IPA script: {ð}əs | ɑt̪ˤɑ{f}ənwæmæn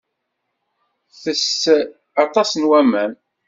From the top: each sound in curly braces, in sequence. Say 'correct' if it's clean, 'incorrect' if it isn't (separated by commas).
incorrect, incorrect